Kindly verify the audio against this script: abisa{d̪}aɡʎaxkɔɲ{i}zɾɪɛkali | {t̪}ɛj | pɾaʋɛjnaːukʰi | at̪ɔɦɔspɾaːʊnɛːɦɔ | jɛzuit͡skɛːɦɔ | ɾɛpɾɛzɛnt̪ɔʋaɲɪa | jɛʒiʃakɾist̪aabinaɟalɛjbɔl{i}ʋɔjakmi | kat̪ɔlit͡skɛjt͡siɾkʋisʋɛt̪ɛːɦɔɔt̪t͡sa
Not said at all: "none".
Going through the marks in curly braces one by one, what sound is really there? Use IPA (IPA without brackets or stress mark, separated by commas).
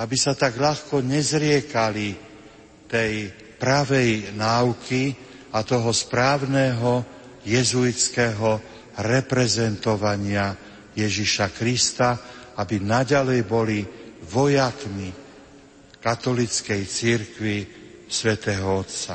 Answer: t̪, ɛ, t̪, i